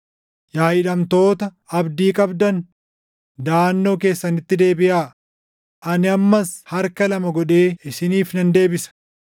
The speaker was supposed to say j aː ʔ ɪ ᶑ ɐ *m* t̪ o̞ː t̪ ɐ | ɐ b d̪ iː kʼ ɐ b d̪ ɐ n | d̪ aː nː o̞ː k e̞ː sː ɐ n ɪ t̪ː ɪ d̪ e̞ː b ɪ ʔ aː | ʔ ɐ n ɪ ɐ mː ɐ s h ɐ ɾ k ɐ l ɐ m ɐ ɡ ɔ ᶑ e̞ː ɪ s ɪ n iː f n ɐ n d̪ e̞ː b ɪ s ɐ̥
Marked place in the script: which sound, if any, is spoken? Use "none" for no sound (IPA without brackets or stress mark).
m